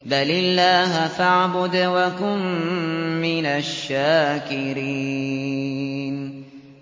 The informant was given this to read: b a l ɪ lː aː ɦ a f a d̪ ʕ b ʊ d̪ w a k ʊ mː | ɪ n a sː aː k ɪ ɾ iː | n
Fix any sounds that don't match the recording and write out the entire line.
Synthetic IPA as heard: b a l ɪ lː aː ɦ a f a ʕ b ʊ d̪ w a k ʊ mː | ɪ n a ʃː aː k ɪ ɾ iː | n

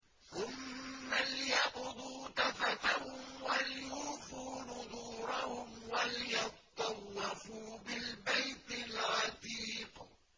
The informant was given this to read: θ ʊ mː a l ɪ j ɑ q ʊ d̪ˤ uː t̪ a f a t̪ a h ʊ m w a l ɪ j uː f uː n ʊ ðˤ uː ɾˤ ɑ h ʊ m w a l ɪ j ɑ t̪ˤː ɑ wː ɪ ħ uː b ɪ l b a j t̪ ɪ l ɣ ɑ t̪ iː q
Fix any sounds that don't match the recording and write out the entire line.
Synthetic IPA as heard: θ ʊ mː a l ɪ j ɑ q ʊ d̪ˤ uː t̪ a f a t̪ a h ʊ m w a l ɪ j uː f uː n ʊ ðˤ uː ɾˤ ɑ h ʊ m w a l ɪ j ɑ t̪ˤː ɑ wː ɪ f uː b ɪ l b a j t̪ ɪ l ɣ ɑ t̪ iː q

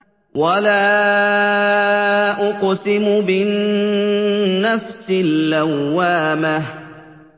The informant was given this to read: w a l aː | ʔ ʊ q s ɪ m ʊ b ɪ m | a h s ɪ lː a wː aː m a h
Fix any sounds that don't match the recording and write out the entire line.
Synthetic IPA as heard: w a l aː | ʔ ʊ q s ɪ m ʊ b ɪ n | a f s ɪ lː a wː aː m a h

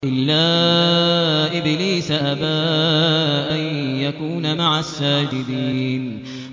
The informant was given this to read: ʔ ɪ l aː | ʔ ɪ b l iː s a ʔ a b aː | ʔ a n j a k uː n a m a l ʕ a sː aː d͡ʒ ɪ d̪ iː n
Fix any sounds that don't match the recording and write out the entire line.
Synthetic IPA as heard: ʔ ɪ lː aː | ʔ ɪ b l iː s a ʔ a b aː | ʔ a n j a k uː n a m a ʕ a sː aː d͡ʒ ɪ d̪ iː n

